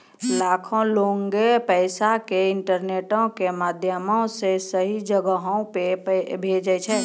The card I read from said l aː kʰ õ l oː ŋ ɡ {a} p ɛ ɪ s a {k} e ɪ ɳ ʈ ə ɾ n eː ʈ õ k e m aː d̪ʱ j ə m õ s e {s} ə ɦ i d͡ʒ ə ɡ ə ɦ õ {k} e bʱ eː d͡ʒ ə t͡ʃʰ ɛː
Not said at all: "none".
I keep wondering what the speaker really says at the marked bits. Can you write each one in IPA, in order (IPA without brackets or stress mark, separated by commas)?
e, k, s, p